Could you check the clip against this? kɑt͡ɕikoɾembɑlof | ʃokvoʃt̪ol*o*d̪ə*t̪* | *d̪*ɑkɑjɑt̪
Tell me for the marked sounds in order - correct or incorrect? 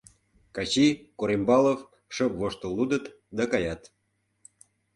incorrect, correct, correct

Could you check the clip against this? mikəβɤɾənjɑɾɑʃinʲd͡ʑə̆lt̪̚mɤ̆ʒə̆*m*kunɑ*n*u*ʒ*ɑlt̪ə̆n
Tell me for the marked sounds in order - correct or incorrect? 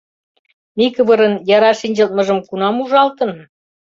correct, incorrect, correct

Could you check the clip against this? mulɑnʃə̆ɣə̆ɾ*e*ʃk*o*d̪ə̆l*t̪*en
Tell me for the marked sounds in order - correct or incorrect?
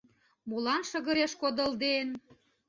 correct, correct, incorrect

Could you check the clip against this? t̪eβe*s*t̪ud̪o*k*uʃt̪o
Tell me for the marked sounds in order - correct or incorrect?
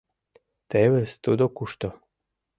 correct, correct

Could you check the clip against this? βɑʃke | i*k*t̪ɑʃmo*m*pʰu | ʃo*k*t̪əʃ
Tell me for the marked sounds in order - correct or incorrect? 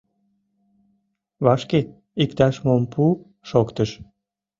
correct, correct, correct

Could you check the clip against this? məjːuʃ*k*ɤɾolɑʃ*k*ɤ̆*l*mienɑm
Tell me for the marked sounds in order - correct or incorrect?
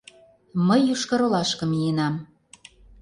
correct, correct, incorrect

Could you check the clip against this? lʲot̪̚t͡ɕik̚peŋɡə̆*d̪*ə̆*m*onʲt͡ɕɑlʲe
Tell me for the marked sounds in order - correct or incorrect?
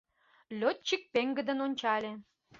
correct, incorrect

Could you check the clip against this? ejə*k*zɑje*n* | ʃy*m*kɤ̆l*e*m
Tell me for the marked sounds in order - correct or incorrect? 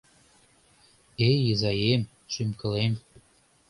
incorrect, incorrect, correct, correct

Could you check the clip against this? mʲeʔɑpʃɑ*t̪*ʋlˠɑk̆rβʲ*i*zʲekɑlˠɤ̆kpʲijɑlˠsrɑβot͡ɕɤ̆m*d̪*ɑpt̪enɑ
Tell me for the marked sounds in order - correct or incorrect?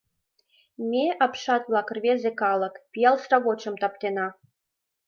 correct, incorrect, incorrect

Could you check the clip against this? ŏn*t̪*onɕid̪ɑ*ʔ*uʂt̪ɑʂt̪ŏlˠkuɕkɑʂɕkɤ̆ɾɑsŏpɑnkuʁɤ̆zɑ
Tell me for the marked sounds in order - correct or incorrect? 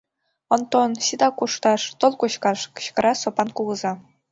correct, incorrect

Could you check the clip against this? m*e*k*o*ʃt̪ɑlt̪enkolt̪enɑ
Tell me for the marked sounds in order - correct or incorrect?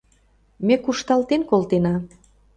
correct, incorrect

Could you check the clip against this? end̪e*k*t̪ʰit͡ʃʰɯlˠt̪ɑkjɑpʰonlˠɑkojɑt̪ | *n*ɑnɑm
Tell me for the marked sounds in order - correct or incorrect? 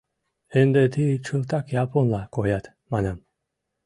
incorrect, incorrect

